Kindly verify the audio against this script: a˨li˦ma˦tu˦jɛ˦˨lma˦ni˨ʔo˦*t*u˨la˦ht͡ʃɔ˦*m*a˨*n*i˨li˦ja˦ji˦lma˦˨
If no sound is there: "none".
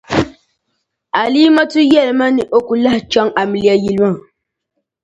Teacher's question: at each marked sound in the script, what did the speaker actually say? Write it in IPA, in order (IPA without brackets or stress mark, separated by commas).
k, ŋ, m